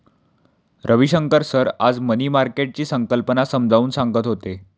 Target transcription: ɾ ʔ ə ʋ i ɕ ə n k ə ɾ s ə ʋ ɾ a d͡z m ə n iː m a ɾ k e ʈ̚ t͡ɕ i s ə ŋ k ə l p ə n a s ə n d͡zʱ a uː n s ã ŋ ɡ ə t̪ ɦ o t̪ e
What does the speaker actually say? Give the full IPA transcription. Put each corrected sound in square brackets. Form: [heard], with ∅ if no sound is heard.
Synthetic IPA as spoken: ɾ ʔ ə ʋ i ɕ ə [ŋ] k ə ɾ s ə [∅] ɾ a d͡z m ə n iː m a ɾ k e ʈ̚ t͡ɕ [iː] s ə ŋ k ə l p ə n a s ə [m] d͡zʱ a uː n s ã ŋ ɡ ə t̪ ɦ o t̪ e